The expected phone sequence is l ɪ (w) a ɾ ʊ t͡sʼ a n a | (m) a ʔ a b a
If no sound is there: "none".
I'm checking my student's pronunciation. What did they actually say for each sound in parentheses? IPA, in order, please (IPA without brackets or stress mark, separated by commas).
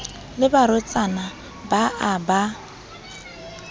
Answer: b, b